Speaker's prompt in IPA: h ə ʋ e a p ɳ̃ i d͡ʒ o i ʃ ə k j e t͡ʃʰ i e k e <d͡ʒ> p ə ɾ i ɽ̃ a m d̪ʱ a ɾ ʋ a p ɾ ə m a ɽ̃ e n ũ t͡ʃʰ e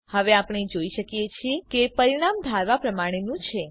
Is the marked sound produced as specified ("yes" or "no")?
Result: no